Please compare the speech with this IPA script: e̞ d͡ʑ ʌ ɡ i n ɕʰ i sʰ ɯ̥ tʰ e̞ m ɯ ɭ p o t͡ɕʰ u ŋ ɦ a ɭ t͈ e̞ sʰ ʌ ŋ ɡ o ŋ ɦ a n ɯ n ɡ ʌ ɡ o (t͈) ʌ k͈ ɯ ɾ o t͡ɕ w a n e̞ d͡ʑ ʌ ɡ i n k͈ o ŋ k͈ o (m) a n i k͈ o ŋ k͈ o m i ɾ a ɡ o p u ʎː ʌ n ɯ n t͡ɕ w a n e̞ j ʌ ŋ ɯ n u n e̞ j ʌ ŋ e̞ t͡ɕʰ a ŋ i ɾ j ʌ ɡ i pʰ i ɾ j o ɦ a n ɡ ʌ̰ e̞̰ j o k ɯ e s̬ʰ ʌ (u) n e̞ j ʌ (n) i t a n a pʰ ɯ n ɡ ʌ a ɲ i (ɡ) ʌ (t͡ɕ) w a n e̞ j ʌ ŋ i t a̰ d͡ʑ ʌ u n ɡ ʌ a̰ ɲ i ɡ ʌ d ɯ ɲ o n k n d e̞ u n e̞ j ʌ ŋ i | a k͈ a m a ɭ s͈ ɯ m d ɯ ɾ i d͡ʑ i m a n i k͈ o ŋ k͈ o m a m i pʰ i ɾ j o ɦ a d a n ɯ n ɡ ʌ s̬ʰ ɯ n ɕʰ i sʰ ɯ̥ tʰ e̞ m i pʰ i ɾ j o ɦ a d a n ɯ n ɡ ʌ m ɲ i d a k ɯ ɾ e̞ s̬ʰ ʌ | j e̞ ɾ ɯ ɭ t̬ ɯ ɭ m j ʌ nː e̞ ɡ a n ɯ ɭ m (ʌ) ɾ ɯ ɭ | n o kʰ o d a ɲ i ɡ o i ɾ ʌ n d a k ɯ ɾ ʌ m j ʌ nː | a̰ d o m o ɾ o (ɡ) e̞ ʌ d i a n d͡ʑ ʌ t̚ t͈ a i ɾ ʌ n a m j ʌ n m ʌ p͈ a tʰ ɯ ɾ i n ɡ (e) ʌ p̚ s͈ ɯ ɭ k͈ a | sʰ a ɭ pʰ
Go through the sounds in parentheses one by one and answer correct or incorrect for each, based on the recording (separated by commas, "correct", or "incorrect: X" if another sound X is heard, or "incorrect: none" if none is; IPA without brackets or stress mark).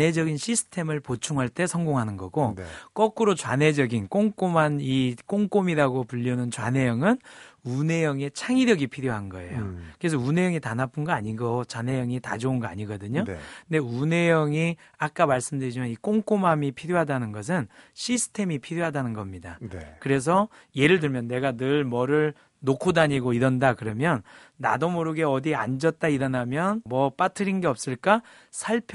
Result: incorrect: k͈, correct, correct, incorrect: ŋ, correct, correct, correct, correct, correct